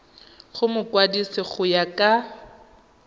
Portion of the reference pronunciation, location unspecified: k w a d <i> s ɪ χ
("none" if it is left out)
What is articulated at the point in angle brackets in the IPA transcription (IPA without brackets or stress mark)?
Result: i